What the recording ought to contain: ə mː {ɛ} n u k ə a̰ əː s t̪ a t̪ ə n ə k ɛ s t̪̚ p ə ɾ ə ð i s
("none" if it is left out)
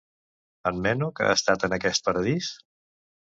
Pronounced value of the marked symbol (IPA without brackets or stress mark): ɛ